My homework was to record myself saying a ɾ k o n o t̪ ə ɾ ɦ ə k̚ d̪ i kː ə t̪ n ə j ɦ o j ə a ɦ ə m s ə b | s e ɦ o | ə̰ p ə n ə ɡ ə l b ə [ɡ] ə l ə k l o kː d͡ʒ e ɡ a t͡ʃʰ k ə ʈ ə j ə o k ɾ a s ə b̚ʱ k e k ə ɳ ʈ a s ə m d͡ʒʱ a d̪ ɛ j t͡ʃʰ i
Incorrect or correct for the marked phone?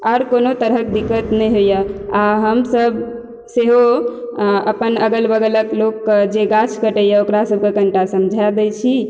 correct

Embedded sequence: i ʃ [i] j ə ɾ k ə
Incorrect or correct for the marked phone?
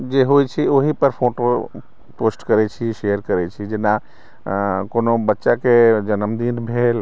incorrect: e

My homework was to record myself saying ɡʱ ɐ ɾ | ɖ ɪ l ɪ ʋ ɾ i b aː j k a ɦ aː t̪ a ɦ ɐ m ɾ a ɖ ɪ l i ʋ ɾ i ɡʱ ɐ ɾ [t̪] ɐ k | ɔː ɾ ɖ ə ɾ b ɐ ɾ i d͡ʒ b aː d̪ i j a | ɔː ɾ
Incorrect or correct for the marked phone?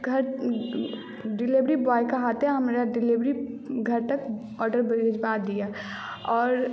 correct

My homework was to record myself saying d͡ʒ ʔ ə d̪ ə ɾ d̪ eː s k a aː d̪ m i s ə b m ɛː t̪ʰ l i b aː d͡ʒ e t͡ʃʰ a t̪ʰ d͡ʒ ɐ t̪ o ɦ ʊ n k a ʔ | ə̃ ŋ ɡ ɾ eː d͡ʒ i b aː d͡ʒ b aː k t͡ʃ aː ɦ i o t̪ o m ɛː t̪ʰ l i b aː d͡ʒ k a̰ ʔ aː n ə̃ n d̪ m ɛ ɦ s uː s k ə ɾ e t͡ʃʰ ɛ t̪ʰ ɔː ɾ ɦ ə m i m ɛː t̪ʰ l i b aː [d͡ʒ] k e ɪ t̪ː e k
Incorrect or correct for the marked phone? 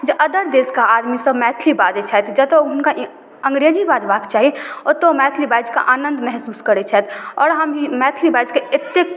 correct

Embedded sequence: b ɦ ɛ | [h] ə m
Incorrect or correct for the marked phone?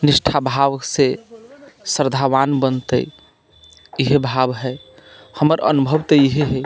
correct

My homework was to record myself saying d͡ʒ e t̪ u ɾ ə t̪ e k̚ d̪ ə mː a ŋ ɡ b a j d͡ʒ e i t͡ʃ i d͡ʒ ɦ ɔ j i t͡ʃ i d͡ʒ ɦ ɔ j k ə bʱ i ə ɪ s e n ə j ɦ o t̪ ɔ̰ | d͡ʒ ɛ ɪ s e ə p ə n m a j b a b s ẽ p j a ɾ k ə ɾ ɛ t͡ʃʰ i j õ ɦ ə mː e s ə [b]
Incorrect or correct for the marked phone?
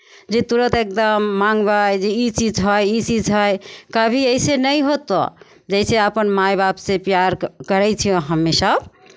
correct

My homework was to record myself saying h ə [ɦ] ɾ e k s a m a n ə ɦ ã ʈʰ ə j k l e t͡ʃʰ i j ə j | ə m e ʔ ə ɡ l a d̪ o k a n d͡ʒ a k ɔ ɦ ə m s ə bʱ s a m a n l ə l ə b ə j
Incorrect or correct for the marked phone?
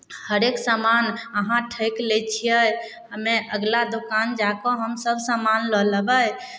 incorrect: none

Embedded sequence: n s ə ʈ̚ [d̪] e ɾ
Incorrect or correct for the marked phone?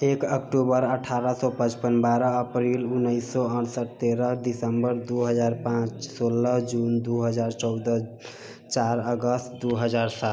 incorrect: t̪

